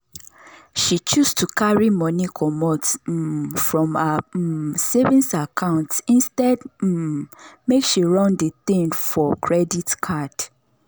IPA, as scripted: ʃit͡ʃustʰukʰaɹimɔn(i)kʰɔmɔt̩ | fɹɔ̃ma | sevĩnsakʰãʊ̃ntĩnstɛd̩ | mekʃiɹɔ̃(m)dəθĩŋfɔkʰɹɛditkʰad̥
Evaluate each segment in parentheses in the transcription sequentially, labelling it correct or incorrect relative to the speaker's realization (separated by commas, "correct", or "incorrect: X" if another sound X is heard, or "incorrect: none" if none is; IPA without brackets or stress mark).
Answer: correct, incorrect: n